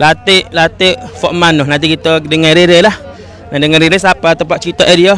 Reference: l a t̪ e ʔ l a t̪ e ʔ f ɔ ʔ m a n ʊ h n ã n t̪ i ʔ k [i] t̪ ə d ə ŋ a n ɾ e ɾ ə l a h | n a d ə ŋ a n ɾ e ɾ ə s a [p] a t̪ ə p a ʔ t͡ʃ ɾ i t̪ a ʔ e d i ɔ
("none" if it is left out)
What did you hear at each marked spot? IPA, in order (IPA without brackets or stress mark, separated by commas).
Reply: i, p